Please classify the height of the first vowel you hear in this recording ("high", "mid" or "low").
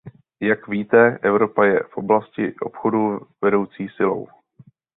low